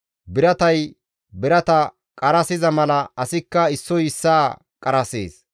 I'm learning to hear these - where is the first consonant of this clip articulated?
lips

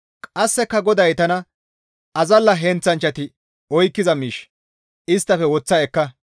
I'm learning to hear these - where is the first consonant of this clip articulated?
velum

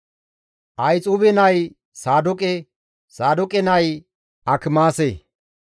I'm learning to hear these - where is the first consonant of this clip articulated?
throat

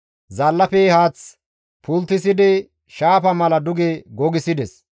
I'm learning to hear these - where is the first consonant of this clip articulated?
tongue tip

